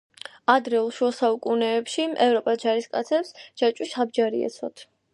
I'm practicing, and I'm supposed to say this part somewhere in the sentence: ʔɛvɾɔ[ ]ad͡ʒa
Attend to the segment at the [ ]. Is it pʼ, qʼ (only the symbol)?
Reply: pʼ